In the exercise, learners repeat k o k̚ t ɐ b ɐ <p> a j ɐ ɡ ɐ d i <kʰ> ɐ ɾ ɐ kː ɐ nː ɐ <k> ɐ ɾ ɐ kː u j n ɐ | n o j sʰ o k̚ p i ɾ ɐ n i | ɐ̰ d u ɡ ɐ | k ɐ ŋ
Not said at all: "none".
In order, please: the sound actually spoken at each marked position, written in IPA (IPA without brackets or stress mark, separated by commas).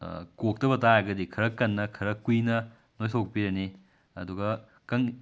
t, kʰ, kʰ